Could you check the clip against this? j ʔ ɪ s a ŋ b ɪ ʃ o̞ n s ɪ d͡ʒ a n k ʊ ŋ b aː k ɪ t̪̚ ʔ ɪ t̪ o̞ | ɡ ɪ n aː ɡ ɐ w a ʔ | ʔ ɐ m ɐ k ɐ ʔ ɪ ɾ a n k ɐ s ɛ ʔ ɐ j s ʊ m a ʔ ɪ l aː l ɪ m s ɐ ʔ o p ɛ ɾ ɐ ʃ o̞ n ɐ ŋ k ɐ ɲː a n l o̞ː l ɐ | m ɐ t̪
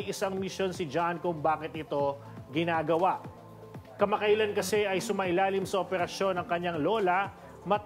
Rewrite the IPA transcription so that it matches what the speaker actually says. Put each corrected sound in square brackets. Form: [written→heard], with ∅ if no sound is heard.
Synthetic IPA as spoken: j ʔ ɪ s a ŋ [b→m] ɪ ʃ o̞ n s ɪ d͡ʒ a n k ʊ ŋ b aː k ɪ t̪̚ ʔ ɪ t̪ o̞ | ɡ ɪ n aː ɡ ɐ w a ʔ | [ʔ→k] ɐ m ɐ k ɐ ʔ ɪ [ɾ→l] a n k ɐ s ɛ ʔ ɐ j s ʊ m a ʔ ɪ l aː l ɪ m s ɐ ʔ o p ɛ ɾ ɐ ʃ o̞ n ɐ ŋ k ɐ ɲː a [n→ŋ] l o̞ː l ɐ | m ɐ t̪

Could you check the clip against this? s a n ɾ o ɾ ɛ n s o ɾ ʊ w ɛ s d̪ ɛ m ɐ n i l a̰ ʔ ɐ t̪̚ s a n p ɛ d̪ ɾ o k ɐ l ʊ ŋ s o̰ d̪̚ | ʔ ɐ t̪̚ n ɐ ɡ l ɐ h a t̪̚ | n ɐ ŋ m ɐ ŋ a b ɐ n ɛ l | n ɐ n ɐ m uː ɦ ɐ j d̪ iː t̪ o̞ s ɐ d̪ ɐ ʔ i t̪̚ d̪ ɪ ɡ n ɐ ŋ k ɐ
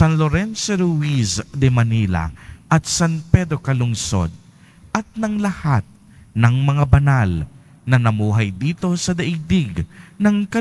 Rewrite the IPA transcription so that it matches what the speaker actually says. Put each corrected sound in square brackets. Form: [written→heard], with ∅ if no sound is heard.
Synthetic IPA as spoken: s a n [ɾ→l] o ɾ ɛ n s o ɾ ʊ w [ɛ→i] s d̪ ɛ m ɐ n i l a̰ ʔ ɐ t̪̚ s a n p ɛ d̪ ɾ o k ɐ l ʊ ŋ s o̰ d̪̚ | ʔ ɐ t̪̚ n ɐ [ɡ→ŋ] l ɐ h a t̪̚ | n ɐ ŋ m ɐ ŋ a b ɐ n [ɛ→a] l | n ɐ n ɐ m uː ɦ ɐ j d̪ iː t̪ o̞ s ɐ d̪ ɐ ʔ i [t̪̚→∅] d̪ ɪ ɡ n ɐ ŋ k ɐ

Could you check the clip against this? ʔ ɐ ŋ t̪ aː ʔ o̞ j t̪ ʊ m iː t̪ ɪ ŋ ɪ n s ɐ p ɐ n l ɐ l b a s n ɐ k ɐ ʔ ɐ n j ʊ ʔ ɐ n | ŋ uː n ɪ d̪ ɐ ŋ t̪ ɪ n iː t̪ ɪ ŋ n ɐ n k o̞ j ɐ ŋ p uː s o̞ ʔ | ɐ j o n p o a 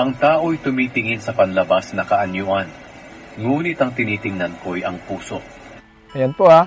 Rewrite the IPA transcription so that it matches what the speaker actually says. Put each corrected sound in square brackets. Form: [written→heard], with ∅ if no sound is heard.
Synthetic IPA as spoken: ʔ ɐ ŋ t̪ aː ʔ o̞ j t̪ ʊ m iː t̪ ɪ ŋ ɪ n s ɐ p ɐ n l ɐ [l→∅] b a s n ɐ k ɐ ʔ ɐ n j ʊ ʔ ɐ n | ŋ uː n ɪ [d̪→t̪] ɐ ŋ t̪ ɪ n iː t̪ ɪ ŋ n ɐ n k o̞ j ɐ ŋ p uː s o̞ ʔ | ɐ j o n p o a

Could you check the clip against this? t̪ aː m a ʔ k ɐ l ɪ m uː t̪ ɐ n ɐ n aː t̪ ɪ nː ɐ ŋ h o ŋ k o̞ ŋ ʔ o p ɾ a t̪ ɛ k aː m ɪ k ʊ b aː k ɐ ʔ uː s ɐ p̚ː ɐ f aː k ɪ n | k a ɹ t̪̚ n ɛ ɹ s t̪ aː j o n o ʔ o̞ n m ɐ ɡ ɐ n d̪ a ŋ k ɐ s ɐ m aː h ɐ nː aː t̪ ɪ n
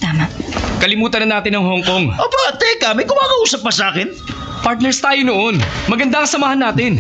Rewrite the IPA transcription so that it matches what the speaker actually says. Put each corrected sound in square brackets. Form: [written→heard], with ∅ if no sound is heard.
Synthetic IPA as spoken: t̪ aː m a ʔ k ɐ l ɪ m uː t̪ ɐ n ɐ n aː t̪ ɪ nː ɐ ŋ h o ŋ k o̞ ŋ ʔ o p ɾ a t̪ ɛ k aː m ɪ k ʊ [b→m] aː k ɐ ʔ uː s ɐ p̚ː ɐ [f→s] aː k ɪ n | [k→p] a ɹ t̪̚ n ɛ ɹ s t̪ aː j o n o ʔ o̞ n m ɐ ɡ ɐ n d̪ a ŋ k ɐ s ɐ m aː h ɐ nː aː t̪ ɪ n

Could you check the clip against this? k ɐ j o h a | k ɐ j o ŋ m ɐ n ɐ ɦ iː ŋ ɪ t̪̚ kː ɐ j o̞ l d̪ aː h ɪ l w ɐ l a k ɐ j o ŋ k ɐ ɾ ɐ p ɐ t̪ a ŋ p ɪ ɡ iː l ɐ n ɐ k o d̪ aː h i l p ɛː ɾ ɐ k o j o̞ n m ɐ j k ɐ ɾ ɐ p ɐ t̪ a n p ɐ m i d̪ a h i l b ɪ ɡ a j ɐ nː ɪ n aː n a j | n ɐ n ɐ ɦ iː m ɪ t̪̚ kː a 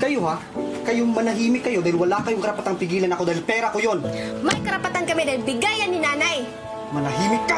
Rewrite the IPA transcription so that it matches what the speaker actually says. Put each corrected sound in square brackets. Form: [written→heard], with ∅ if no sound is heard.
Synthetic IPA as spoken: k ɐ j o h a | k ɐ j o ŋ m ɐ n ɐ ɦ iː [ŋ→m] ɪ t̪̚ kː ɐ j o̞ [l→∅] d̪ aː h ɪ l w ɐ l a k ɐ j o ŋ k ɐ ɾ ɐ p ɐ t̪ a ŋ p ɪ ɡ iː l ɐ n ɐ k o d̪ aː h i l p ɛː ɾ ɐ k o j o̞ n m ɐ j k ɐ ɾ ɐ p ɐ t̪ a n [p→k] ɐ m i d̪ a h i l b ɪ ɡ a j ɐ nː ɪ n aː n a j | [n→m] ɐ n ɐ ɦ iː m ɪ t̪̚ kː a

